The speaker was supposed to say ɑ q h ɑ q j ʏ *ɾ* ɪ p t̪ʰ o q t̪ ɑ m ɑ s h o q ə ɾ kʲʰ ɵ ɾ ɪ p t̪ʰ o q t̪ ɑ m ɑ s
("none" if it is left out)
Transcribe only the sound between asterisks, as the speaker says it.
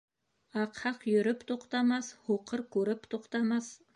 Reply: ɾ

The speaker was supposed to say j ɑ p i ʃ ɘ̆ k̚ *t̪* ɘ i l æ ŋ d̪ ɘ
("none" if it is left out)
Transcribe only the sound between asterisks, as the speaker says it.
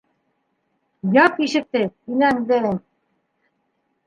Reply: t̪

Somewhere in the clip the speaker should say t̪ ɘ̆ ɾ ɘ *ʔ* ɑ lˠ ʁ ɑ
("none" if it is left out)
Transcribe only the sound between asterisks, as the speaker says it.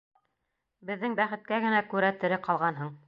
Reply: q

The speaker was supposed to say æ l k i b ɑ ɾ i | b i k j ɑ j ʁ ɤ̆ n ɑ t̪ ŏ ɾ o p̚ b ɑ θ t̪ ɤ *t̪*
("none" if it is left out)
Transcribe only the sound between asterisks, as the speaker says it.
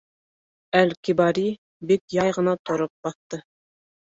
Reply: none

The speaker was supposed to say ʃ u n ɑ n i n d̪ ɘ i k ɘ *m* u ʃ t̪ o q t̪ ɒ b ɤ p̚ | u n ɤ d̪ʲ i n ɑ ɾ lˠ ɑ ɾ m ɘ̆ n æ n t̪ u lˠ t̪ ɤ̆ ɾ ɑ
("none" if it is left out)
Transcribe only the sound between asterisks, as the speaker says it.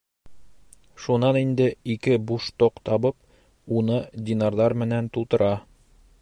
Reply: b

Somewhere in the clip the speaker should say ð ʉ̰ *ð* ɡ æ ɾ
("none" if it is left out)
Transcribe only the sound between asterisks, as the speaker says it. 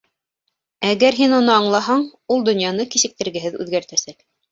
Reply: ð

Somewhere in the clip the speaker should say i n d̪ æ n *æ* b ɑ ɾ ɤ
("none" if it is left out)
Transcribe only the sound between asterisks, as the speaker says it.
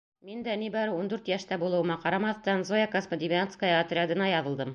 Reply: i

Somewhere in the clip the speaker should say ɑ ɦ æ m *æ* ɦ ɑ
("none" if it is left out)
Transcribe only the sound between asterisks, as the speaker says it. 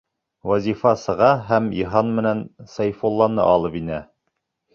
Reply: i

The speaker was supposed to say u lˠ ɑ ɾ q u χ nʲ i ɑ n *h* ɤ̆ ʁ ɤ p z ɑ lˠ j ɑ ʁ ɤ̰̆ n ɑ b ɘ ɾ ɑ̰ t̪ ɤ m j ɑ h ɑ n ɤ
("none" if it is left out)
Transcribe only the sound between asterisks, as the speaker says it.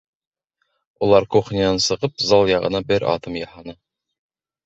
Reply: s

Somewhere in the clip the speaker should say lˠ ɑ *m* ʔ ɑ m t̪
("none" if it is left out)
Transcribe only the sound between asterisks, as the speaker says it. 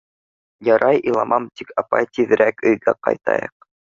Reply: m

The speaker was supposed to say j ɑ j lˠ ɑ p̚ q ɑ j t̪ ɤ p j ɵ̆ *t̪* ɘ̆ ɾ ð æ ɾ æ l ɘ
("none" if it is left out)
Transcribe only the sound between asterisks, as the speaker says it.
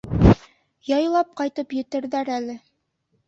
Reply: t̪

